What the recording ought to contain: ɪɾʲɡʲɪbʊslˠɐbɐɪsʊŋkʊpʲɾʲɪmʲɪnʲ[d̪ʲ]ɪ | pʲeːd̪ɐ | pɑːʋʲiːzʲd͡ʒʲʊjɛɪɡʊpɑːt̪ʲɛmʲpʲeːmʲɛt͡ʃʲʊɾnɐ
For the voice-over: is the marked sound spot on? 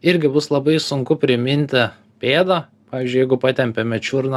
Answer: no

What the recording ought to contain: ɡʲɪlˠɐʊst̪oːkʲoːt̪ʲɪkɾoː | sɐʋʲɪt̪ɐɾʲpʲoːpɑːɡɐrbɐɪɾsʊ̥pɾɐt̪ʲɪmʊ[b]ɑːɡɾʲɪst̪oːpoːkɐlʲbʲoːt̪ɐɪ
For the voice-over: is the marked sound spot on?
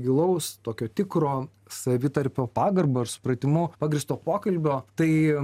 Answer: no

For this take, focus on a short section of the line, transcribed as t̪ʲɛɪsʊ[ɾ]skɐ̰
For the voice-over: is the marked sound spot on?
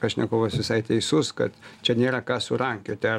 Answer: no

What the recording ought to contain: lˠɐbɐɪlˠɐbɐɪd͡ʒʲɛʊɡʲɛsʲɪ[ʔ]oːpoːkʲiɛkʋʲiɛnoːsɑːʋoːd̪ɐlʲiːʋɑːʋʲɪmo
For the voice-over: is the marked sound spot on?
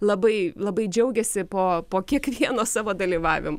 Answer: no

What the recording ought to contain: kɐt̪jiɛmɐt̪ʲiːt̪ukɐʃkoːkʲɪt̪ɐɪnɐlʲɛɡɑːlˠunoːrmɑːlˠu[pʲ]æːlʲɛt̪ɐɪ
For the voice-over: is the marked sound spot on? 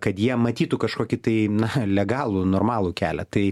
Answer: no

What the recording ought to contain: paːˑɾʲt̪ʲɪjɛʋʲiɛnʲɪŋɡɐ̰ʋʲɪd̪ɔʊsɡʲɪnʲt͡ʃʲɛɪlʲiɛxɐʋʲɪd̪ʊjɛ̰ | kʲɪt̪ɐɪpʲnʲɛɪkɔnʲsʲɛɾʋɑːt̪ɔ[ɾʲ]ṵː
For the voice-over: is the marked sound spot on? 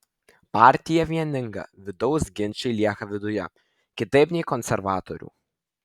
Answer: yes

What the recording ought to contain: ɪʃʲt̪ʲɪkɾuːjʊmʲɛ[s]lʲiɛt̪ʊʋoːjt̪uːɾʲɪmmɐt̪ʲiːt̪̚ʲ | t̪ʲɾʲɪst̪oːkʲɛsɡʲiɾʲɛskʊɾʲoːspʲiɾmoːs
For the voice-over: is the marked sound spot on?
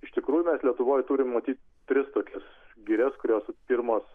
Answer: yes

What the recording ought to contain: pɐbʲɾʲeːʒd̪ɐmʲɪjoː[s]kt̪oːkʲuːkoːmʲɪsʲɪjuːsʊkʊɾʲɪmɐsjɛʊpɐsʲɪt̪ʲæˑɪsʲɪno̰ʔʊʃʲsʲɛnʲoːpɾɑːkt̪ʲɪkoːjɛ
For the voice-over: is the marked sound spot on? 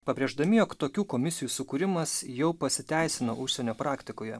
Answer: no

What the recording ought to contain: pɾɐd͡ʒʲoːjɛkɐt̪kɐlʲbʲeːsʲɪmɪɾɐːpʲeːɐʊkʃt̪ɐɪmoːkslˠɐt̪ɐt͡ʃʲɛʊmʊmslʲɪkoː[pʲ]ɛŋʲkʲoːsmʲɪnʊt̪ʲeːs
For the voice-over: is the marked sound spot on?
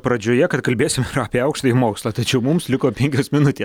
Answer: yes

